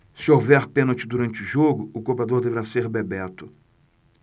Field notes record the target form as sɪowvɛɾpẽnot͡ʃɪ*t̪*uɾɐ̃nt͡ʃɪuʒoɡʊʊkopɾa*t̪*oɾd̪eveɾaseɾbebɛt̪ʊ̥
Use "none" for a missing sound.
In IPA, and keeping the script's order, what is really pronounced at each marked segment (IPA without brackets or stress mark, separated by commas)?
d̪, d̪